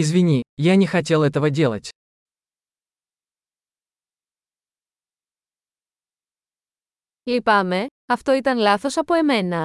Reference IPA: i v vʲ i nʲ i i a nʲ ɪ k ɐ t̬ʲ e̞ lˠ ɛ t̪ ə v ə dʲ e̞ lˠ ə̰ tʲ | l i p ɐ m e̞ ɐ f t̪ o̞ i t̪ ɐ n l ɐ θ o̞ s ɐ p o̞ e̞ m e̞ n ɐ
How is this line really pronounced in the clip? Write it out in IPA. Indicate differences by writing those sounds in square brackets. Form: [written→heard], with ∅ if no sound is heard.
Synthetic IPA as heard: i [v→z] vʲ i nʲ i [i→j] a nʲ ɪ [k→x] ɐ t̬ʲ e̞ lˠ ɛ t̪ ə v ə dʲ e̞ lˠ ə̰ tʲ | l i p ɐ m e̞ ɐ f t̪ o̞ i t̪ ɐ n l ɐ θ o̞ s ɐ p o̞ e̞ m e̞ n ɐ